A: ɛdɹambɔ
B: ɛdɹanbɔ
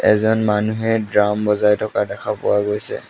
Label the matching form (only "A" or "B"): A